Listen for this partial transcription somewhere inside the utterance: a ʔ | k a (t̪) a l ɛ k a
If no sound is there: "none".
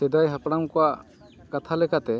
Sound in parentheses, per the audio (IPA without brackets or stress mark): t̪ʰ